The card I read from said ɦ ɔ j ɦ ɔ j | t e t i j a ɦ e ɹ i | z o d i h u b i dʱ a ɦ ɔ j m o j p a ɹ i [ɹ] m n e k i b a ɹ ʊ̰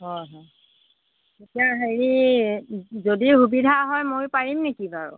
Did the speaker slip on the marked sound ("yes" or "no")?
yes